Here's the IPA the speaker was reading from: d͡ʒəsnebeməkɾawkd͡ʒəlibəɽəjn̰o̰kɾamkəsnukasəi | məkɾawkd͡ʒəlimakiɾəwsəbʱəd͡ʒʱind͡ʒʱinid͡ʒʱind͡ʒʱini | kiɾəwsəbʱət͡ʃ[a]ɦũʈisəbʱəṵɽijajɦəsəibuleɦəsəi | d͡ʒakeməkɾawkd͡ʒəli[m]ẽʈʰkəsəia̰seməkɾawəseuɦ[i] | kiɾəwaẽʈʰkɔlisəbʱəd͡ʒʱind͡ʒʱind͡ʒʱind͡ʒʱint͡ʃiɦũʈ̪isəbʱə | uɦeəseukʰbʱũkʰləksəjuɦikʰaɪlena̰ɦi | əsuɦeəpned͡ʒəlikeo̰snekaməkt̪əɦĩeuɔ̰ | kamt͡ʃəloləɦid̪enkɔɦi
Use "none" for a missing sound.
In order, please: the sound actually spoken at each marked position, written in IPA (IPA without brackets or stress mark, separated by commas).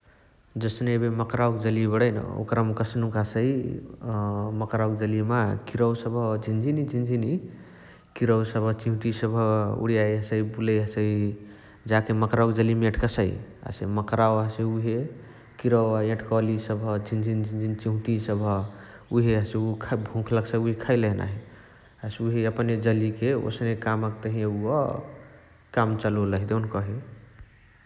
i, m, e